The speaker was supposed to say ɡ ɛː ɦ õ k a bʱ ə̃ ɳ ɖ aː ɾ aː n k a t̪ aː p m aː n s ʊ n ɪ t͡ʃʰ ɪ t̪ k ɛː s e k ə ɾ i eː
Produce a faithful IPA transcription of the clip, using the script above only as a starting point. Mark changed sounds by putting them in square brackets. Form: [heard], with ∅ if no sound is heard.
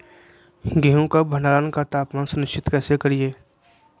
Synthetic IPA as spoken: ɡ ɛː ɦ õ k a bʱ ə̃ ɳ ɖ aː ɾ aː n k a t̪ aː p m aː n s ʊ n ɪ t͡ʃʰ ɪ t̪ k ɛː s e k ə ɾ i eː